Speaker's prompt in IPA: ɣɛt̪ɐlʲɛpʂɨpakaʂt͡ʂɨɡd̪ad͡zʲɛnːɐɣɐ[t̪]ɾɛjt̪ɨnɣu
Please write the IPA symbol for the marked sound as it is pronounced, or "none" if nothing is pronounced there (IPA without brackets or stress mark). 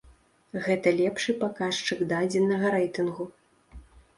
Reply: none